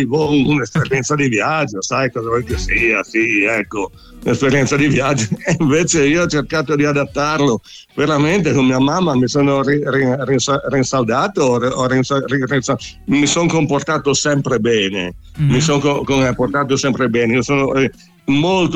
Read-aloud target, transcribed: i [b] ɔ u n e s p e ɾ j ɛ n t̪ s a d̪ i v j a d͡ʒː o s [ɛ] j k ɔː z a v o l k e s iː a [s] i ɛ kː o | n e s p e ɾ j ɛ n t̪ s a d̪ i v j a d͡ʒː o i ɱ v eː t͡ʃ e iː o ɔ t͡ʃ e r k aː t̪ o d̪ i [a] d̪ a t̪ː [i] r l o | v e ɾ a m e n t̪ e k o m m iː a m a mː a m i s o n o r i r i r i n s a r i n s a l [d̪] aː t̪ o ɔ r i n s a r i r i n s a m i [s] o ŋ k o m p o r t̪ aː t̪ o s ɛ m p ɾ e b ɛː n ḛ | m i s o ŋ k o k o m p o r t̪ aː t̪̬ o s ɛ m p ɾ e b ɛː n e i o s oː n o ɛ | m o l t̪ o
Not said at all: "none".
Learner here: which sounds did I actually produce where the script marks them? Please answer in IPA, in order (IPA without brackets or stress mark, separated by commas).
v, a, s, a, a, d̪, s